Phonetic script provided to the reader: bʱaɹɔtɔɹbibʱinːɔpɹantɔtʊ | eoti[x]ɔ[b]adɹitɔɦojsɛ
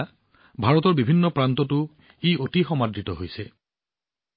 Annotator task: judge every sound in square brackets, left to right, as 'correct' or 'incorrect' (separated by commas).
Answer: correct, incorrect